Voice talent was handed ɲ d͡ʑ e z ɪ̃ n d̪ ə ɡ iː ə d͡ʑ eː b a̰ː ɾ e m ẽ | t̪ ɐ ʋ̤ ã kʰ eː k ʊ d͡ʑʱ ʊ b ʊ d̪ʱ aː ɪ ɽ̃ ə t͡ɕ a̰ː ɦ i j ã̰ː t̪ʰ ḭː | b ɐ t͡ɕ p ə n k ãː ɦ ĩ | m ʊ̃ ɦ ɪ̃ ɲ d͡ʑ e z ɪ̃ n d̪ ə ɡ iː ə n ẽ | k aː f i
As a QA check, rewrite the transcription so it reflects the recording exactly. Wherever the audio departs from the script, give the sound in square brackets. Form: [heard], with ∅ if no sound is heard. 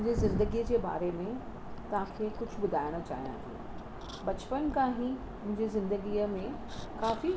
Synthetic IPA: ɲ d͡ʑ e z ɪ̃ n d̪ ə ɡ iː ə d͡ʑ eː b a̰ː ɾ e m ẽ | t̪ ɐ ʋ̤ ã kʰ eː k ʊ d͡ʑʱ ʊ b ʊ d̪ʱ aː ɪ ɽ̃ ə t͡ɕ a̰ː ɦ i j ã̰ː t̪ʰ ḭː | b ɐ t͡ɕ p ə n k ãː ɦ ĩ | m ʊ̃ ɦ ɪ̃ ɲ d͡ʑ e z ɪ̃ n d̪ ə ɡ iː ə [m] ẽ | k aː f i